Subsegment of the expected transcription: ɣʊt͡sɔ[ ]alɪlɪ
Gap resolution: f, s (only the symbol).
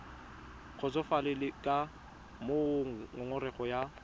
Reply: f